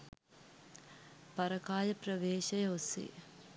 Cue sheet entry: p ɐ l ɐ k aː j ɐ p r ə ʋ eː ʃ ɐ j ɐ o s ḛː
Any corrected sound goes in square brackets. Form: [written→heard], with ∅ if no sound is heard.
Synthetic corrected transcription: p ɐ [l→ɾ] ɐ k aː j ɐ p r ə ʋ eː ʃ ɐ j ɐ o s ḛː